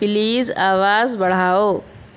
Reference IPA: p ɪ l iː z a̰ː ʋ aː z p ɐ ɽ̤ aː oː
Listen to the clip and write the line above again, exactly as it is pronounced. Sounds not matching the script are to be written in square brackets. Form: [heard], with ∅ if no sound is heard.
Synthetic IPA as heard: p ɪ l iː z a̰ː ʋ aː z [b] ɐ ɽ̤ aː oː